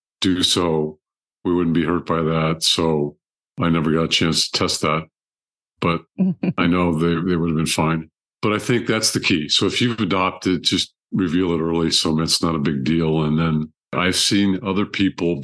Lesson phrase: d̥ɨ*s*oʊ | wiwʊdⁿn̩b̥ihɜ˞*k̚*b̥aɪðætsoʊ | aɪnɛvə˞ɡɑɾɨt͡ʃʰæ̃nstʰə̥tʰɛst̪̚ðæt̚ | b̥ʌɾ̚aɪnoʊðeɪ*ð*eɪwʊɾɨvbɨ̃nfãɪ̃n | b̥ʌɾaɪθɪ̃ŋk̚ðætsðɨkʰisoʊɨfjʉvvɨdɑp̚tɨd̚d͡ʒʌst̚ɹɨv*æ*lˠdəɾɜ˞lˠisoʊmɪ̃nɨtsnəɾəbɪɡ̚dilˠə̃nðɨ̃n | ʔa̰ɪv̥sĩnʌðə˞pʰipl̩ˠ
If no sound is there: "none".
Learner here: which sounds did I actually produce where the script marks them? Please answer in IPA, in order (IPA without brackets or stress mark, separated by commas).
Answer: s, t̚, ð, i